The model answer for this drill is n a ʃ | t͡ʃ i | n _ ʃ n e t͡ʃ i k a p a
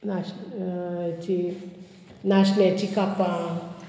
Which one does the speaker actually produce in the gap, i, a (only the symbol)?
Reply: a